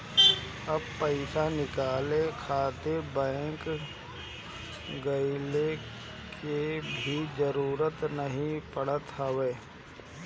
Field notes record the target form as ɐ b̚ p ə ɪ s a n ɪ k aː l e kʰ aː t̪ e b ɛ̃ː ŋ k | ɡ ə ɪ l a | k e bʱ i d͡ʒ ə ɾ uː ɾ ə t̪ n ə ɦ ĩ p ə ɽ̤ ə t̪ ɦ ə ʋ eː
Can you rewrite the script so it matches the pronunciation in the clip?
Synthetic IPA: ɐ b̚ p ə ɪ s a n ɪ k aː l e kʰ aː t̪ e b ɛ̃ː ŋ k | ɡ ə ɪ l e | k e bʱ i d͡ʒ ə ɾ uː ɾ ə t̪ n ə ɦ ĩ p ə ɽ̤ ə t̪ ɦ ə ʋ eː